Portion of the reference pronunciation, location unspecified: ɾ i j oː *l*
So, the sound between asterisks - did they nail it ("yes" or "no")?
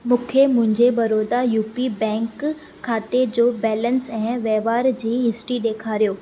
no